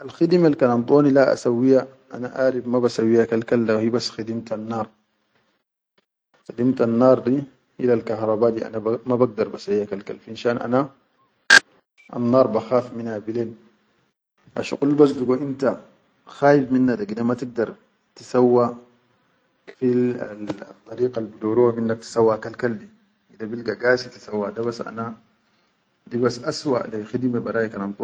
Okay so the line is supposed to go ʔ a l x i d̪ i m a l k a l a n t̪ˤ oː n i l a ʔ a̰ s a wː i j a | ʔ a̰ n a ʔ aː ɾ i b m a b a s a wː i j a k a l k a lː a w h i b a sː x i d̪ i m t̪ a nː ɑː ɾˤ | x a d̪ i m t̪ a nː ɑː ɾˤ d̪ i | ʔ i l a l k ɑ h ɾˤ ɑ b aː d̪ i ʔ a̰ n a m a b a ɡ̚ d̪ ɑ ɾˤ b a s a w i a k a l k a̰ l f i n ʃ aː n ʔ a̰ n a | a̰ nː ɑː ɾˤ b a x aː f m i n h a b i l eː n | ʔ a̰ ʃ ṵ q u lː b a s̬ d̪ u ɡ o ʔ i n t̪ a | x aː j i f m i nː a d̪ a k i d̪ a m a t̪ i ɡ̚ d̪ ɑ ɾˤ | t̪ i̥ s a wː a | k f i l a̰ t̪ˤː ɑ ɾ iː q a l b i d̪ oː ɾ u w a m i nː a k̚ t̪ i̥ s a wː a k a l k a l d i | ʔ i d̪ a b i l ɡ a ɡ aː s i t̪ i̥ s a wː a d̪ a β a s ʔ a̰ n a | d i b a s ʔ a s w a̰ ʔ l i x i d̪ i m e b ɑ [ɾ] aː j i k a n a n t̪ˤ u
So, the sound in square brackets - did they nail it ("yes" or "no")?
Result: yes